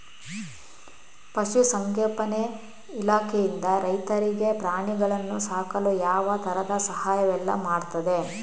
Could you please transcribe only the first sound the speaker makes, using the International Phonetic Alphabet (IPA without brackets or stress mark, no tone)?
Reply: p